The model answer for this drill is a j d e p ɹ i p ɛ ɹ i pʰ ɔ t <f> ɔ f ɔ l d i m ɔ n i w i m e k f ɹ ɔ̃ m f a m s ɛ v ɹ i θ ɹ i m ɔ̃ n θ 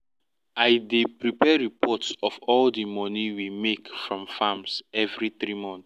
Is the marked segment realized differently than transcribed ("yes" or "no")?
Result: yes